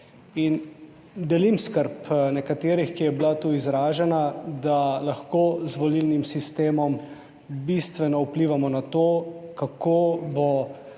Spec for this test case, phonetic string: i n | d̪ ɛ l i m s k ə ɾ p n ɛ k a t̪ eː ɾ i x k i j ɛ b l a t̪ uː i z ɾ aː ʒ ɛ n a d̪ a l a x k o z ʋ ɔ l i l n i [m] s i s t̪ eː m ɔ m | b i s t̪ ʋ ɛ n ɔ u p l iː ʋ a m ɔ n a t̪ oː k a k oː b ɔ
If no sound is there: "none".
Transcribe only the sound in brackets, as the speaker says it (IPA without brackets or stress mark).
m